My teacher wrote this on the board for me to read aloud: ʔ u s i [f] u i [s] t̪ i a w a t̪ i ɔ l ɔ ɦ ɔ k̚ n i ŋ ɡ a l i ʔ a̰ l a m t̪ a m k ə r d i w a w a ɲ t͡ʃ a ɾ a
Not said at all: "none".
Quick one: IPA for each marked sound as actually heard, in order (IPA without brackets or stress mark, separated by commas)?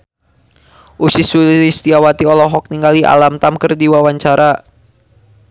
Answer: s, s